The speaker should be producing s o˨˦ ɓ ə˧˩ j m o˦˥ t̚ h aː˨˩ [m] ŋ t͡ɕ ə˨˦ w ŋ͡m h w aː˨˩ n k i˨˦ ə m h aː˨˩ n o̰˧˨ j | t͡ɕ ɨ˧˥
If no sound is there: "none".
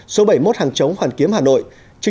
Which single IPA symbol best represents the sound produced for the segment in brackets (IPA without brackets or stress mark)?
none